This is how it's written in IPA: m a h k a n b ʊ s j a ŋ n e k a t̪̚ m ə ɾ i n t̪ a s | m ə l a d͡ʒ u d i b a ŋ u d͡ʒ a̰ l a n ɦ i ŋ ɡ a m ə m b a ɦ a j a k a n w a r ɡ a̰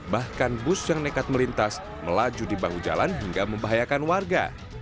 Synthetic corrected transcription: b a h k a n b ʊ s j a ŋ n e k a t̪̚ m ə l i n t̪ a s | m ə l a d͡ʒ u d i b a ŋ u d͡ʒ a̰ l a n ɦ i ŋ ɡ a m ə m b a ɦ a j a k a n w a r ɡ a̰